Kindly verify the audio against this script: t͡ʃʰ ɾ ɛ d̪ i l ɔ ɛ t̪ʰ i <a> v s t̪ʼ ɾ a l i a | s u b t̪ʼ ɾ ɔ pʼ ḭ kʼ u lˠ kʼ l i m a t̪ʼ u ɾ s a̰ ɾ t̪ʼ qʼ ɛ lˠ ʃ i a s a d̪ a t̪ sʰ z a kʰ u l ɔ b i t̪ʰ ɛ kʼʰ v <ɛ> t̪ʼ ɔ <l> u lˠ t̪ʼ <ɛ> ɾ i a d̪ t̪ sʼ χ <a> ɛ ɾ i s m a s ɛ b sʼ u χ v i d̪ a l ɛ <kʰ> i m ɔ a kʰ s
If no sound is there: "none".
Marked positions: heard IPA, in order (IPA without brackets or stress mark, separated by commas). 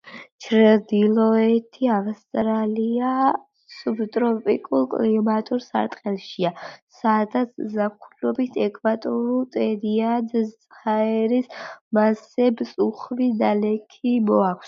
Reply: a, a, ɾ, ɛ, a, kʰ